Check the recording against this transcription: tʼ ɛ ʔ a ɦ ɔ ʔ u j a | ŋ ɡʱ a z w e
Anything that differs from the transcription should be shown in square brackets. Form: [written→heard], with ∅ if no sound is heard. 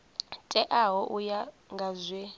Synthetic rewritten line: tʼ ɛ ʔ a ɦ ɔ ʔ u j a | ŋ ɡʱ a z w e